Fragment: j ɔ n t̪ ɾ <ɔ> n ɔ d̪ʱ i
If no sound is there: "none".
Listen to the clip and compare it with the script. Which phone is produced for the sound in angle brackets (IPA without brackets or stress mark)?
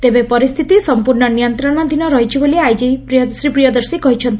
ɔ